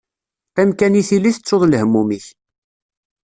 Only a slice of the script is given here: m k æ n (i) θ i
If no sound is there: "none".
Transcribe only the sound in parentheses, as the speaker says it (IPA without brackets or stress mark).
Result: i